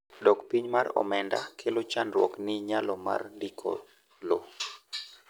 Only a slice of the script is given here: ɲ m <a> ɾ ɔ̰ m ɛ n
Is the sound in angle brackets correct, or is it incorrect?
correct